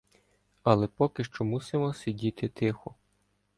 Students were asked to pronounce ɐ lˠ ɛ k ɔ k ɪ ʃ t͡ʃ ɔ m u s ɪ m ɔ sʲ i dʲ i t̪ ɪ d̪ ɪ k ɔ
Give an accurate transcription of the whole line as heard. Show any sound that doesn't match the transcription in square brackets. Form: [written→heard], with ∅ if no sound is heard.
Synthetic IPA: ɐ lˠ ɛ [k→p] ɔ k ɪ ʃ t͡ʃ ɔ m u s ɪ m ɔ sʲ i dʲ i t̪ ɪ [d̪→t̪] ɪ [k→x] ɔ